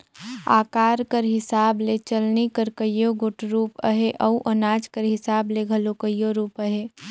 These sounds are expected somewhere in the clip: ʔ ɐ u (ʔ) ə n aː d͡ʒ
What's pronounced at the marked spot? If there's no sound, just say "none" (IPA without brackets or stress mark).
ʔ